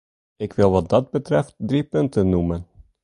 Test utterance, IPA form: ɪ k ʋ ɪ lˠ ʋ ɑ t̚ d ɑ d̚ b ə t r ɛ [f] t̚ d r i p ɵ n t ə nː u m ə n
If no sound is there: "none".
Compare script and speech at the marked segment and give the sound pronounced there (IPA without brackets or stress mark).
f